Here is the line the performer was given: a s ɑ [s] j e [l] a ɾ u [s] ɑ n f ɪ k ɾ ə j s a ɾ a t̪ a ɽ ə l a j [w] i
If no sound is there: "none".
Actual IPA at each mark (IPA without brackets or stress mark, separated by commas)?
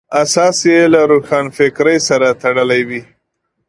s, l, x, w